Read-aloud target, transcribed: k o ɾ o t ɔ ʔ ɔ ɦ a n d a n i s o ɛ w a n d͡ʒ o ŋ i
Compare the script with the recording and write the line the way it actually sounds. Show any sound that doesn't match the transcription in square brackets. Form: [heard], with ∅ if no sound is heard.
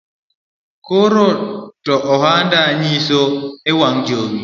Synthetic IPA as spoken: k o ɾ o t ɔ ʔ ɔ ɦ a n d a [ɲ] i s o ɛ w a [ŋ] d͡ʒ o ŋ i